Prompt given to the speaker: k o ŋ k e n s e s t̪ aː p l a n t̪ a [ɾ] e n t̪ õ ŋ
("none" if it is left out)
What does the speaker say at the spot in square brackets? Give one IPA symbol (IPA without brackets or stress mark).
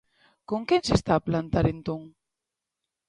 ɾ